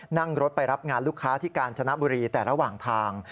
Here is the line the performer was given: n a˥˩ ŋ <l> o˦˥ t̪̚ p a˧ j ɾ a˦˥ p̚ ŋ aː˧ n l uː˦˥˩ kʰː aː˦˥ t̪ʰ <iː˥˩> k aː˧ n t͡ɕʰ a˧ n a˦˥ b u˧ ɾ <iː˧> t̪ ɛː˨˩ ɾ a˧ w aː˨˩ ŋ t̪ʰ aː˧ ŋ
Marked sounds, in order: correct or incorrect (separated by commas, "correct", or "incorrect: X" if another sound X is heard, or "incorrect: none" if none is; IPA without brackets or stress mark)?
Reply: incorrect: ɾ, correct, correct